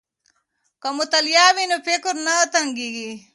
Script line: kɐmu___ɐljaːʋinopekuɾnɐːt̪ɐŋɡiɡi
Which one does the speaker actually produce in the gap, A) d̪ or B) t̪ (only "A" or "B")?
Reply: B